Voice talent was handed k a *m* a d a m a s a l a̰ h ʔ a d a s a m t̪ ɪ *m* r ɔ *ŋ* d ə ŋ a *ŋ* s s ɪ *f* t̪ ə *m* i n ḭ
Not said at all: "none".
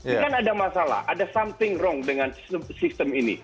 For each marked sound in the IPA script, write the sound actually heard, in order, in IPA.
n, ŋ, ŋ, n, s, m

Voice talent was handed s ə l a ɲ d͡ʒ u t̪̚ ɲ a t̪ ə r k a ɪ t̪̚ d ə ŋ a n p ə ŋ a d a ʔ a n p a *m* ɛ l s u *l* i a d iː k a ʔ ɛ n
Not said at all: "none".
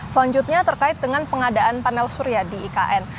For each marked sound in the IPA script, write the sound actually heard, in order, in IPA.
n, ɾ

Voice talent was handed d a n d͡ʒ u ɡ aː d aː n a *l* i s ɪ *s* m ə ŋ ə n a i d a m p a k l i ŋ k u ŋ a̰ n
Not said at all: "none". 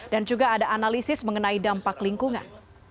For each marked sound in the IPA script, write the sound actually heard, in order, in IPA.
l, s

